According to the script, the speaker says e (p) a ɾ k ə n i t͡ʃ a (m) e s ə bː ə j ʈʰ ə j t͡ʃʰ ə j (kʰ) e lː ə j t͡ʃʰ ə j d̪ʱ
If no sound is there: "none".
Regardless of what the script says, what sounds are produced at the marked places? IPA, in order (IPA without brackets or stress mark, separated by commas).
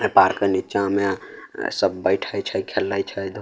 p, m, kʰ